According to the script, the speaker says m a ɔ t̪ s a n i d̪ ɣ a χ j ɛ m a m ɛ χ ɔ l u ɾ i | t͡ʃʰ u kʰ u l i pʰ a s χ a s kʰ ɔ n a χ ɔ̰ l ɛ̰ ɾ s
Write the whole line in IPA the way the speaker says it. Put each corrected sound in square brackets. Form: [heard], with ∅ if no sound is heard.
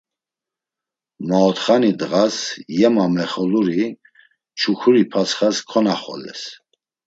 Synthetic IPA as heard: m a ɔ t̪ [χ] a n i d̪ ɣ a [s] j ɛ m a m ɛ χ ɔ l u ɾ i | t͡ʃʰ u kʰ u [ɾ] i pʰ a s χ a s kʰ ɔ n a χ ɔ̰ l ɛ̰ [∅] s